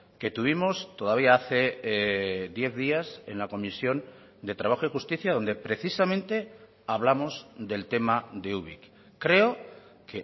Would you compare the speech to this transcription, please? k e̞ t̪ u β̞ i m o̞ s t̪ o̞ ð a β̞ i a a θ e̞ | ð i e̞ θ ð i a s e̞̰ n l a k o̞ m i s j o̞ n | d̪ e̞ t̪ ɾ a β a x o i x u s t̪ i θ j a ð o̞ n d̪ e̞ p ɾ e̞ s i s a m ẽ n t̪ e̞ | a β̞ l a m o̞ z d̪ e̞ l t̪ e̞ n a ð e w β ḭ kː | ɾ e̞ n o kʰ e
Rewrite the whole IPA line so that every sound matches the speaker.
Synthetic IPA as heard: k e̞ t̪ u β̞ i m o̞ s t̪ o̞ ð a β̞ i a a θ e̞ | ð j e̞ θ ð i a s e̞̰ n l a k o̞ m i s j o̞ n | d̪ e̞ t̪ ɾ a β a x o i x u s t̪ i θ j a ð o̞ n d̪ e̞ p ɾ e̞ θ i s a m ẽ n t̪ e̞ | a β̞ l a m o̞ z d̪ e̞ l t̪ e̞ m a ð e u β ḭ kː | ɾ e̞ o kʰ e